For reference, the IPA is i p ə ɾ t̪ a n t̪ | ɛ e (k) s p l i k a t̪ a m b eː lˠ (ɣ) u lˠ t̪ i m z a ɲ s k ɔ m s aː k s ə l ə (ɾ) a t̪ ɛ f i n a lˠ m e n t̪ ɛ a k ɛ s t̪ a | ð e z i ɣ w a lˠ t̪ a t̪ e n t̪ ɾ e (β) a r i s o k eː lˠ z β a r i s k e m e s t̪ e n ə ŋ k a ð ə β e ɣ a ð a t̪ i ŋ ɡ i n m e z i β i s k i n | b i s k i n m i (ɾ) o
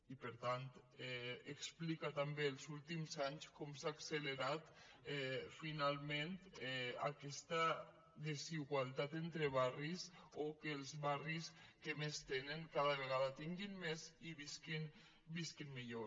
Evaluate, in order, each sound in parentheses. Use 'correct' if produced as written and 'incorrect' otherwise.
correct, incorrect, correct, correct, incorrect

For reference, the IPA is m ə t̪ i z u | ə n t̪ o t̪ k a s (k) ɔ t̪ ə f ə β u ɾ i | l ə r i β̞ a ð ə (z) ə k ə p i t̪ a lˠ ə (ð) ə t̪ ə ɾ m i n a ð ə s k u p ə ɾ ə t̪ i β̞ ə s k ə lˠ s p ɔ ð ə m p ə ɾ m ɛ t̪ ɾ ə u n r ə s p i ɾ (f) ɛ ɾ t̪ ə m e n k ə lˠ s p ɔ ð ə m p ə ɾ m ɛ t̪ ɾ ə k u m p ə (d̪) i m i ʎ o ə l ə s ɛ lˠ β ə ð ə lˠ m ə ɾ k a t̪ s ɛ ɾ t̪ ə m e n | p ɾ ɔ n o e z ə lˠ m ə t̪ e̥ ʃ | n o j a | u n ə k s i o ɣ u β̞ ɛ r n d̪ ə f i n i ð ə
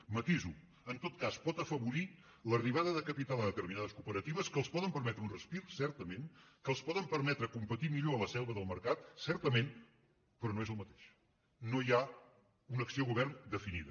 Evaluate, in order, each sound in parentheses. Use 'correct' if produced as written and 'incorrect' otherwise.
incorrect, incorrect, correct, incorrect, incorrect

